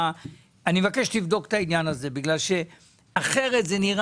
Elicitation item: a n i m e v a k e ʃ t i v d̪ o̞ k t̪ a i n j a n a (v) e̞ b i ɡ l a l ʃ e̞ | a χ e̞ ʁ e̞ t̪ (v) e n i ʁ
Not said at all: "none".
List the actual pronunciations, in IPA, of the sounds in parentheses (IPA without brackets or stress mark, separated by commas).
z, z